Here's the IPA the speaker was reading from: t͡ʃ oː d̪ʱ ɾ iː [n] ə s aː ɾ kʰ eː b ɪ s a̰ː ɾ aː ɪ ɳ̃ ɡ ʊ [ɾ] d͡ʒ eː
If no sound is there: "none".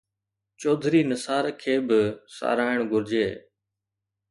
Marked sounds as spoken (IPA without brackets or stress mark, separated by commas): n, ɾ